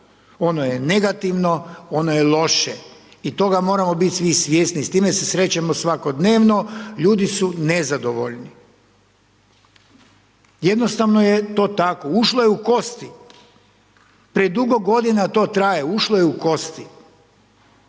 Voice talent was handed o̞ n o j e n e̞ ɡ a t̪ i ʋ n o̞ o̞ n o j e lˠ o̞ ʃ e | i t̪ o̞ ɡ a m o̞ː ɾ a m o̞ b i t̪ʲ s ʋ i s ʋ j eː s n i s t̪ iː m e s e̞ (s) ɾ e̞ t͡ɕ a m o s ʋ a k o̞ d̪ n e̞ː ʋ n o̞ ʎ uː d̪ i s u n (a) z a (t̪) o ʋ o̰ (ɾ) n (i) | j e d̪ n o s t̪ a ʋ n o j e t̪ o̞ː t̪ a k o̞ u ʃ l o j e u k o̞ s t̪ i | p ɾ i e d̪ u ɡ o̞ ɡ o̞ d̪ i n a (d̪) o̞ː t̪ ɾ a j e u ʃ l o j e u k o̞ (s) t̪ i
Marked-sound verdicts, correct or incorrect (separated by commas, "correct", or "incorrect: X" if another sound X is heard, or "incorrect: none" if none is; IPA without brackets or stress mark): correct, incorrect: e, incorrect: d̪, incorrect: ʎ, correct, incorrect: t̪, correct